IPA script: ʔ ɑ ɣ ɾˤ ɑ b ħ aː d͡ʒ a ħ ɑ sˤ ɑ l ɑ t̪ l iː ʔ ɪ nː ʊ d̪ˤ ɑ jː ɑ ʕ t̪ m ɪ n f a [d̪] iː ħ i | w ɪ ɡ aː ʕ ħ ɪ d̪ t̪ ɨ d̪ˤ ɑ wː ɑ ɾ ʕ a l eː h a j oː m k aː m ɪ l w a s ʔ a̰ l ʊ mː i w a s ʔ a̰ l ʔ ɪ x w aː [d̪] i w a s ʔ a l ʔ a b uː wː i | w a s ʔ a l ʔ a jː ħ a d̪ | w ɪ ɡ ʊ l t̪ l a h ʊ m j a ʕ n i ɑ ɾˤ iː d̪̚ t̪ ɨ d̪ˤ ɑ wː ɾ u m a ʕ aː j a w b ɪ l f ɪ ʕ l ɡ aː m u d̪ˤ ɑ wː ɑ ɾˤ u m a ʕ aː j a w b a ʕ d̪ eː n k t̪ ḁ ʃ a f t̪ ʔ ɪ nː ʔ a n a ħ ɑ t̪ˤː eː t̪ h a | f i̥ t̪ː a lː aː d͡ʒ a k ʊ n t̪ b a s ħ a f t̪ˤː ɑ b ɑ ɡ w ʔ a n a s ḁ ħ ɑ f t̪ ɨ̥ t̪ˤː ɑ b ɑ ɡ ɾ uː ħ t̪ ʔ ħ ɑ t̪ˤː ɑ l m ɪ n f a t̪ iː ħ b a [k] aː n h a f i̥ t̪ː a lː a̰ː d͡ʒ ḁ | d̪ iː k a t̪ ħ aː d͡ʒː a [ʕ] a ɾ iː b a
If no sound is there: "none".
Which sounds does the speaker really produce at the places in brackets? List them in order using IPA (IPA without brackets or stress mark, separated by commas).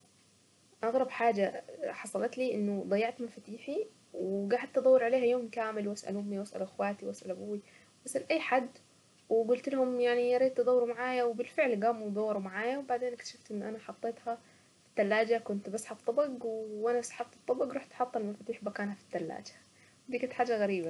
t̪, t̪, k, ɣ